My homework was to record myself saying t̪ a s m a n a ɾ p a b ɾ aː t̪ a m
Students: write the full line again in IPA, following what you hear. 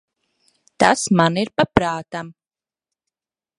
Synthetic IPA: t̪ a s m a n i ɾ p a p ɾ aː t̪ a m